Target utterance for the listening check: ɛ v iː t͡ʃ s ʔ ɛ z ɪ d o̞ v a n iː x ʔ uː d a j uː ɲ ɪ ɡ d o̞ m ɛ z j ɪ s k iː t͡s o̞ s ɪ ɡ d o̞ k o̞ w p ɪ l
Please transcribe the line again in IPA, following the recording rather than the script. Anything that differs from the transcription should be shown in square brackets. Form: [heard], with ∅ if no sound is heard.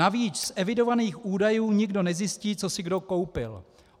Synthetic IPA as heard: [a] v iː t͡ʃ s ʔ ɛ [v] ɪ d o̞ v a n iː x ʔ uː d a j uː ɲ ɪ ɡ d o̞ [n] ɛ z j ɪ s [c] iː t͡s o̞ s ɪ ɡ d o̞ k o̞ w p ɪ l